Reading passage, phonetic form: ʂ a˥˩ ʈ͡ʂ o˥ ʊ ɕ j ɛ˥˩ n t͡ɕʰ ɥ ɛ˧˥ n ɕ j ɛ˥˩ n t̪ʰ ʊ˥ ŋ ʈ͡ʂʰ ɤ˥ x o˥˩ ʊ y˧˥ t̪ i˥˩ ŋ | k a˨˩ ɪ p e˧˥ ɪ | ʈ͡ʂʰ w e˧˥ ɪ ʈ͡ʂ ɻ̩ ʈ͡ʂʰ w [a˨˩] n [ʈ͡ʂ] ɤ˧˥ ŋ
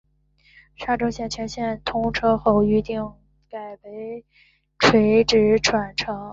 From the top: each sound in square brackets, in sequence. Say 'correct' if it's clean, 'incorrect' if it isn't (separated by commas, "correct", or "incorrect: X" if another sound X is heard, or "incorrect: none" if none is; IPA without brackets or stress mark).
correct, incorrect: ʈ͡ʂʰ